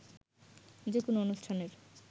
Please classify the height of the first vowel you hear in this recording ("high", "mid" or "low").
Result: mid